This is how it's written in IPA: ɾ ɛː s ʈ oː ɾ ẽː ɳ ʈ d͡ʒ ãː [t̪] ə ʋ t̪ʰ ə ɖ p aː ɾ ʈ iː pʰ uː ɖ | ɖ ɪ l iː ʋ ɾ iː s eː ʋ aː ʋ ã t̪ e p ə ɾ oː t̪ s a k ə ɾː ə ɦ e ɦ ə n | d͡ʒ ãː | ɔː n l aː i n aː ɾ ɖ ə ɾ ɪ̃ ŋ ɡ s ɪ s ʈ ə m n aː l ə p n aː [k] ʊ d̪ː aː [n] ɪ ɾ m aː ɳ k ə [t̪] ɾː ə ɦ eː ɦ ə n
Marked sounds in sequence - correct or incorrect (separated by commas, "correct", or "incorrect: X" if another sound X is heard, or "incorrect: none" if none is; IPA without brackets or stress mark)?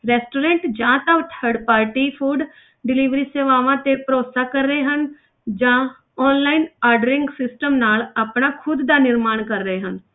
correct, incorrect: kʰ, correct, incorrect: none